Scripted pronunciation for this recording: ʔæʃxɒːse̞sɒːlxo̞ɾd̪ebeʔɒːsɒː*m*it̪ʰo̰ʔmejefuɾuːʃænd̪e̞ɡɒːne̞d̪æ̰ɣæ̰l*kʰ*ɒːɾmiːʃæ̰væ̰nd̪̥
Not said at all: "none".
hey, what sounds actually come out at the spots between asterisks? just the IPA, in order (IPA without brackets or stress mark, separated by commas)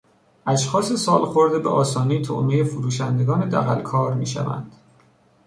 n, kʰ